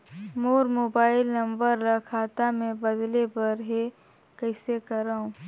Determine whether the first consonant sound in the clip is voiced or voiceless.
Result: voiced